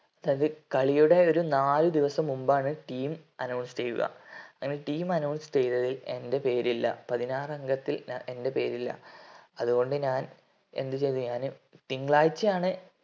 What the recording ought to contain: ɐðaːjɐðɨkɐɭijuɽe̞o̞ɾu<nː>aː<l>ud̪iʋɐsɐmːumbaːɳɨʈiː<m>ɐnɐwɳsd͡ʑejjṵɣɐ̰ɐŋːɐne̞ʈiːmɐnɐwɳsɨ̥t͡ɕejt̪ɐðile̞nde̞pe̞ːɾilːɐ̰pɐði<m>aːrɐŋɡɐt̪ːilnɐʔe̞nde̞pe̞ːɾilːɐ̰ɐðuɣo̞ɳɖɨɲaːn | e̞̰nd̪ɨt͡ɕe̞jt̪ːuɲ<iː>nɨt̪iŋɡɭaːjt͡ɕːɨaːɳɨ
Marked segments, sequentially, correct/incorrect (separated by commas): incorrect, correct, correct, incorrect, incorrect